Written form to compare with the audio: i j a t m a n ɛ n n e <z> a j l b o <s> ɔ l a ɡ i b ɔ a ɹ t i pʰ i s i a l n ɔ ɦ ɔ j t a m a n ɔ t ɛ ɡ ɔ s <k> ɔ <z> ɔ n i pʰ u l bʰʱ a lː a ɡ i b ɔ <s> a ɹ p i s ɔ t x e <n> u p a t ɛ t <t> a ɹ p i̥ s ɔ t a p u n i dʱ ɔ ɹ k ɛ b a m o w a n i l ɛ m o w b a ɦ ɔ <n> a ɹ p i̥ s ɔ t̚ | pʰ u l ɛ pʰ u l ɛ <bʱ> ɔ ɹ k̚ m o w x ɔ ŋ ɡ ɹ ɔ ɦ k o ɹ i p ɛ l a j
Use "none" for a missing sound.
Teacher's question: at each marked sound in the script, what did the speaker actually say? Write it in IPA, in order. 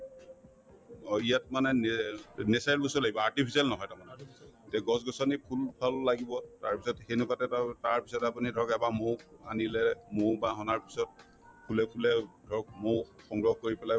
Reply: s, s, ɡ, s, t, n, t, n, dʱ

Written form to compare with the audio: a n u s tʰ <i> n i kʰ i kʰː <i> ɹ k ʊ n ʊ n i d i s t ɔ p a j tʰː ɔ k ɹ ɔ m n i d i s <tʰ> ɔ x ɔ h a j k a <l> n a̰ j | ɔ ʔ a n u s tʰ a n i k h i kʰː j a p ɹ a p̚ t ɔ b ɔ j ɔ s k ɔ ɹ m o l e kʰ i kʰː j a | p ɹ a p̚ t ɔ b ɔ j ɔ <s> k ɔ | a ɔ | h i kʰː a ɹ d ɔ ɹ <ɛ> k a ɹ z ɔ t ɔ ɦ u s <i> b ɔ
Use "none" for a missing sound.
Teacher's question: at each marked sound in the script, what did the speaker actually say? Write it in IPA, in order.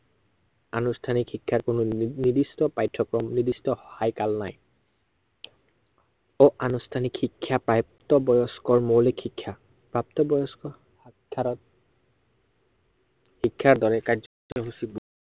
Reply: a, a, t, l, s, ɛ, i

